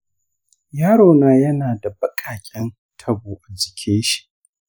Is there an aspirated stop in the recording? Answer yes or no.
yes